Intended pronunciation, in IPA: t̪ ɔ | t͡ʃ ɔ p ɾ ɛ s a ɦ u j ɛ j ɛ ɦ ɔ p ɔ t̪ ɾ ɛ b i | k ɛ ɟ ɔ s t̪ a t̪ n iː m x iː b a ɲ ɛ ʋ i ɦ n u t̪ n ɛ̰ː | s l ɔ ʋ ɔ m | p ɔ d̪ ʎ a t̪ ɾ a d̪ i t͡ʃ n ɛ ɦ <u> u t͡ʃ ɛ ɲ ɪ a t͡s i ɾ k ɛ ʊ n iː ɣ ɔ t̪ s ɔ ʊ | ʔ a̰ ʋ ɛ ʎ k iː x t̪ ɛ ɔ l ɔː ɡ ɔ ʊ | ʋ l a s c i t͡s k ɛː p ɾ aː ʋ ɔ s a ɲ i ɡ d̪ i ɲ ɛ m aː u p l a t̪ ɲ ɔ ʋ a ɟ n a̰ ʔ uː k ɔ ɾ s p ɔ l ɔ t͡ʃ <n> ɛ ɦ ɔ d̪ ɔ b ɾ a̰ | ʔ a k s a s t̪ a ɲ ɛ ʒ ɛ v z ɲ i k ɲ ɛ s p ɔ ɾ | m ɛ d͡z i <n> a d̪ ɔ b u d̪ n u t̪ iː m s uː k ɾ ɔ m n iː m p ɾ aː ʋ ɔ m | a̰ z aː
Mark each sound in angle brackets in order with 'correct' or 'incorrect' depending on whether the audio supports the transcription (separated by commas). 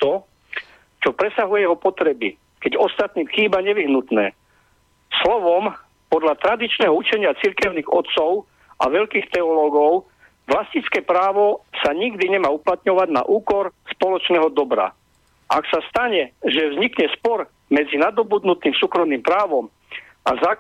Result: incorrect, correct, correct